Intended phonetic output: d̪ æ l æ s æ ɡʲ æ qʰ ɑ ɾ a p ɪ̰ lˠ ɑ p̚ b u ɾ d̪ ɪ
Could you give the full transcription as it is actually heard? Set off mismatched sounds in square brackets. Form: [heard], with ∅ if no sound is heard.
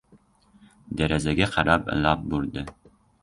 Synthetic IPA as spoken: d̪ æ [ɾ] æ [z] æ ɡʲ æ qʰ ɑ ɾ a p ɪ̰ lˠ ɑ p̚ b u ɾ d̪ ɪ